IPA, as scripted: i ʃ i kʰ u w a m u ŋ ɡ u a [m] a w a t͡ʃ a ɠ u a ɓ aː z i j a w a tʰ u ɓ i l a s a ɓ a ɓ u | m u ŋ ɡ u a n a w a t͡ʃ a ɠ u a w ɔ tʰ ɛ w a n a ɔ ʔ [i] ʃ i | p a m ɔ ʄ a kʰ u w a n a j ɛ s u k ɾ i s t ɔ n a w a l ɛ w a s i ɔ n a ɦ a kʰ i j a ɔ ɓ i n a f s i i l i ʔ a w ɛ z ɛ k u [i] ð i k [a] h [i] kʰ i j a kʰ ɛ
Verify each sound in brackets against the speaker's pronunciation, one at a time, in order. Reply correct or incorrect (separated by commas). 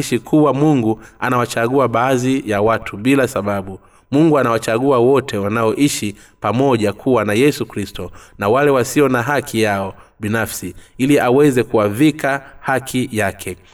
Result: incorrect, correct, incorrect, correct, incorrect